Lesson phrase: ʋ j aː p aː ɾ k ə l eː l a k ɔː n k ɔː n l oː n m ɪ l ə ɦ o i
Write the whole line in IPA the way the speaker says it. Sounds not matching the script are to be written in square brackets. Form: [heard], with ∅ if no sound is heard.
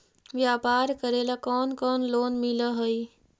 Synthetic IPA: ʋ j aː p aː ɾ k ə [ɾ] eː l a k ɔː n k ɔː n l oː n m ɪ l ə ɦ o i